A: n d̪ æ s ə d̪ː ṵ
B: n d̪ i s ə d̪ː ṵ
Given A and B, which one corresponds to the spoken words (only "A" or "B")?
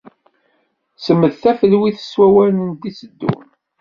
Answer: B